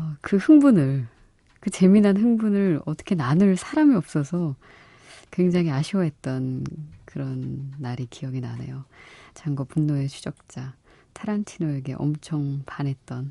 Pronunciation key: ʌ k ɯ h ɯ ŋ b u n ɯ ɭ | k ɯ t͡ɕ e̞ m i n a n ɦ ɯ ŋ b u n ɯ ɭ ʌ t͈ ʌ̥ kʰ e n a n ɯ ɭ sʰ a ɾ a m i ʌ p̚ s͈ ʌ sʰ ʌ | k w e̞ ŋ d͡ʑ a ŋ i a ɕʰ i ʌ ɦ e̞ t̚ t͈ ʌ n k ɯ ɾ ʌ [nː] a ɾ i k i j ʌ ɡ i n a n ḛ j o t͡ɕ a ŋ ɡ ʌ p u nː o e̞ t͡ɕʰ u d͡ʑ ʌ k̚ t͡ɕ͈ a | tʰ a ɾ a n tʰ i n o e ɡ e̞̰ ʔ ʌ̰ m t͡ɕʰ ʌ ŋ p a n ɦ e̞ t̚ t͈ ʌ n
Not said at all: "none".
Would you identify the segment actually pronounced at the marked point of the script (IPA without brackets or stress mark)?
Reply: nː